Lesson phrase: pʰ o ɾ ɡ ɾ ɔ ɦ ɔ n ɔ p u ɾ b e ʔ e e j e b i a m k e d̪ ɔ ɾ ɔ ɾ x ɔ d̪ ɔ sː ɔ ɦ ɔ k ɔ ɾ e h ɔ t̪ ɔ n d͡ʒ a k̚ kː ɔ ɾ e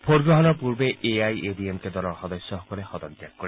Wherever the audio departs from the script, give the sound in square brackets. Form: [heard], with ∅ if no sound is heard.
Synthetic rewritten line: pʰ o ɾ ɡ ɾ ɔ ɦ ɔ n ɔ p u ɾ b e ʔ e [a] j e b i [e] m k e d̪ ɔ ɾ ɔ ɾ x ɔ d̪ ɔ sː ɔ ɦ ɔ k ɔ ɾ e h ɔ [d̪] ɔ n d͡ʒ a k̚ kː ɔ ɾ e